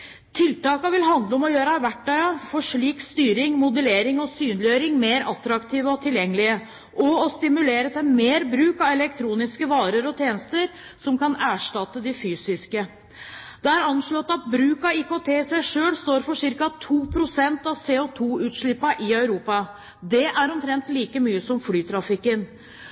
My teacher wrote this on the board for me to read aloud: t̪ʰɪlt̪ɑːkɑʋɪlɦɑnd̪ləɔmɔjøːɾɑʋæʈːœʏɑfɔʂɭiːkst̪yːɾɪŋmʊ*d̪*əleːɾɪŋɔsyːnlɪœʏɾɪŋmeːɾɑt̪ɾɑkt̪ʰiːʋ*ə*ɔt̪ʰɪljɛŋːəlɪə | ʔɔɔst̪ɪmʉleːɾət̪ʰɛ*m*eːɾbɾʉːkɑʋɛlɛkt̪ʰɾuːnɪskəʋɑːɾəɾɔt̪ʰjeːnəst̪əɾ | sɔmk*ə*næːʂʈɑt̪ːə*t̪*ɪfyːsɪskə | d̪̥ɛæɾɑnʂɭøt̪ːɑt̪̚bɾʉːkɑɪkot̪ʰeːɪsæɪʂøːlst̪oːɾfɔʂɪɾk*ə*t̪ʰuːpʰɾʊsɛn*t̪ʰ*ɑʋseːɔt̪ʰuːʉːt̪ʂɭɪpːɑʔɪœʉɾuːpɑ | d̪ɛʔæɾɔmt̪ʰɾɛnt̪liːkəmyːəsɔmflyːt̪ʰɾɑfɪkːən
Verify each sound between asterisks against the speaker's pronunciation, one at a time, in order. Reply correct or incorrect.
correct, correct, correct, incorrect: ɑ, incorrect: d̪, incorrect: ɑ, incorrect: t̪

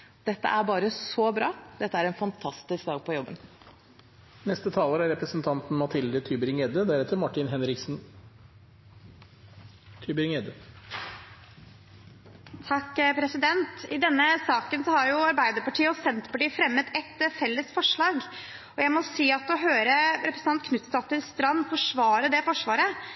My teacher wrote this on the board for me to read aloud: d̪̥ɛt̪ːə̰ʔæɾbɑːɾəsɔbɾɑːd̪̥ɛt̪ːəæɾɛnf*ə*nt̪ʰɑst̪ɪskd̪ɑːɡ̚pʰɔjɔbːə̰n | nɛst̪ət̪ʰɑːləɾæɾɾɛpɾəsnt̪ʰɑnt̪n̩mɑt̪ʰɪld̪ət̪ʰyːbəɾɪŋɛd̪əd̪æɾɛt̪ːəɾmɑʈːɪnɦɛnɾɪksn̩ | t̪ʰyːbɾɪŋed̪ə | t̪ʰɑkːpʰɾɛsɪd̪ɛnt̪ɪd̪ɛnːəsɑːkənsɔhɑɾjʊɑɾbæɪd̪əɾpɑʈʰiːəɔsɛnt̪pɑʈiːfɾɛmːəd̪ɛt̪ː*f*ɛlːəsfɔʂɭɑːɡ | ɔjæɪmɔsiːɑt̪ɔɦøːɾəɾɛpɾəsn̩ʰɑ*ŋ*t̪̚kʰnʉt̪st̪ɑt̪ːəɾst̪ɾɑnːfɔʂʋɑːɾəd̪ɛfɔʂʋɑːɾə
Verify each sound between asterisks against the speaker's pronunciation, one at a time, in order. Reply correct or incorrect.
incorrect: ɑ, correct, incorrect: n

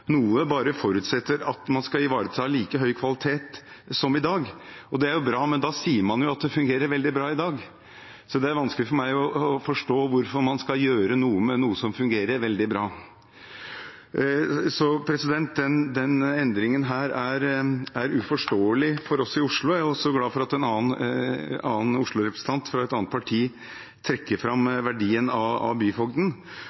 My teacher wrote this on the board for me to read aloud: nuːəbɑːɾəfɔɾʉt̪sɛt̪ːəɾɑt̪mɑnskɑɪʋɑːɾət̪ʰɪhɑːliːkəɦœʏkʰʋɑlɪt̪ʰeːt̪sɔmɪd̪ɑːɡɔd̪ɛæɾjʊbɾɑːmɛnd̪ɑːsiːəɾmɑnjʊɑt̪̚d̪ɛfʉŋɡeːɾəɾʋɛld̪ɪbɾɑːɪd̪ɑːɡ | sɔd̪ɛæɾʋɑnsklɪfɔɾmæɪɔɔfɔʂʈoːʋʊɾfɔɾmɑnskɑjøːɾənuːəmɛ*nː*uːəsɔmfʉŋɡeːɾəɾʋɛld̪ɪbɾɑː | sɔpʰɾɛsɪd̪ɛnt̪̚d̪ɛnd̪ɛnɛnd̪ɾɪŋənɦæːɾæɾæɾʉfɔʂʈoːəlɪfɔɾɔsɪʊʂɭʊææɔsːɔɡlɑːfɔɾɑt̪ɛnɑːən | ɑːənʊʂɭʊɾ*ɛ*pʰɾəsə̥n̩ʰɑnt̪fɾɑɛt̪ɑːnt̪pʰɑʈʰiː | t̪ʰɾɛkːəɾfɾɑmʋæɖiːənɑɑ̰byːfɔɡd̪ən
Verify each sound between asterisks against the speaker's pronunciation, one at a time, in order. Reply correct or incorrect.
incorrect: n, correct

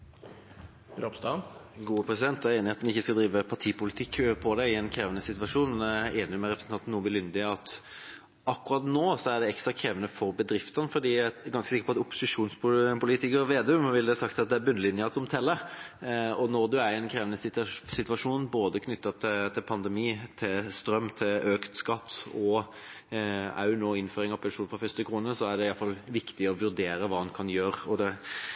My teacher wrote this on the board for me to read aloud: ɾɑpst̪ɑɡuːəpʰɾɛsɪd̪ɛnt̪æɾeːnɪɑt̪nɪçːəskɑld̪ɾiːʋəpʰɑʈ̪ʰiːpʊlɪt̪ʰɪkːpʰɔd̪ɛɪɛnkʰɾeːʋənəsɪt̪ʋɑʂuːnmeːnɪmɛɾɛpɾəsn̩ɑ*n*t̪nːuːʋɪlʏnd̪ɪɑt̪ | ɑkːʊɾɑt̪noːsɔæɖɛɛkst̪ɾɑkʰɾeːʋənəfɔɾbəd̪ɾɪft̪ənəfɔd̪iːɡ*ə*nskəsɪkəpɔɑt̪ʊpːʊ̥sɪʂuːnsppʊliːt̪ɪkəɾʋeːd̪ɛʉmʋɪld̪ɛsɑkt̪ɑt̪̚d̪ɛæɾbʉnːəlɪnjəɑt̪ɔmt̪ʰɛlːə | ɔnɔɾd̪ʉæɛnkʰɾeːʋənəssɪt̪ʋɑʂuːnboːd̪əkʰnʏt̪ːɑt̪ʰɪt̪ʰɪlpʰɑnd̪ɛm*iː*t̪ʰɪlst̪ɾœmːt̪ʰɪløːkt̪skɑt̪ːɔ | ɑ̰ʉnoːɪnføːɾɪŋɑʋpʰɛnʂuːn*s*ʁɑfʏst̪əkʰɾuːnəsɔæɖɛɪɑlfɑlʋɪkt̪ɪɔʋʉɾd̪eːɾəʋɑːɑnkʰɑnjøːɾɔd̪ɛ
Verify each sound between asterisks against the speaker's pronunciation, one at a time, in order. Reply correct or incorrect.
correct, incorrect: ɑ, correct, incorrect: f

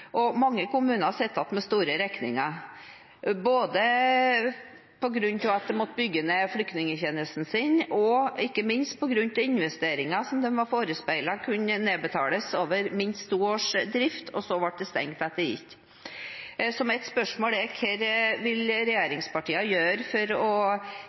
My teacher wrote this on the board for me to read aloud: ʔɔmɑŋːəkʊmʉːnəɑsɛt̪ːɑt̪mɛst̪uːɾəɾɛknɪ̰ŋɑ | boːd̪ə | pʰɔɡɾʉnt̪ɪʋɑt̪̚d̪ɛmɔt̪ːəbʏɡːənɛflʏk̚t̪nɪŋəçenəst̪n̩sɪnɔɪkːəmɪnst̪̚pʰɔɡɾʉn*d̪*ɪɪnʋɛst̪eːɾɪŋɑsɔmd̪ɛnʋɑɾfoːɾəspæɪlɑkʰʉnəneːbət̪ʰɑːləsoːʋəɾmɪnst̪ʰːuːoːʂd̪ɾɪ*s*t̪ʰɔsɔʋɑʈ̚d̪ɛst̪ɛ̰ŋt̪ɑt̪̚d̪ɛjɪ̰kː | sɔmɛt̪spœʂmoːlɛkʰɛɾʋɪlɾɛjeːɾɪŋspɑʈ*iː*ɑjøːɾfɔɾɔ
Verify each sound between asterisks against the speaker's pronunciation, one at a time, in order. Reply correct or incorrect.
incorrect: t̪, incorrect: f, correct

